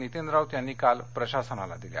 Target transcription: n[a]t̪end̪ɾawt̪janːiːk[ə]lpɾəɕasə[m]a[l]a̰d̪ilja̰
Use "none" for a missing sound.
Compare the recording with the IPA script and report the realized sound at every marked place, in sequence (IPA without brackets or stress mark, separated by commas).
i, a, n, l